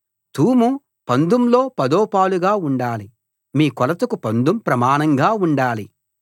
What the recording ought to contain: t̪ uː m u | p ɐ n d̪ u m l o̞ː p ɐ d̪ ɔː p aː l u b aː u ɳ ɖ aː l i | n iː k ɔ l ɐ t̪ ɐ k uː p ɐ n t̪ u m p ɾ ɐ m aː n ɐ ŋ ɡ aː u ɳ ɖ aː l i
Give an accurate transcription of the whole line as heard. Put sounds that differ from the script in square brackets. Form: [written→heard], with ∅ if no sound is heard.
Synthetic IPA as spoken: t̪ uː m u | p ɐ n d̪ u m l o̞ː p ɐ d̪ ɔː p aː l u [b→ɡ] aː u ɳ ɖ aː l i | [n→m] iː k ɔ l ɐ t̪ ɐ k [uː→u] p ɐ n [t̪→d̪] u m p ɾ ɐ m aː n ɐ ŋ ɡ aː u ɳ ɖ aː l i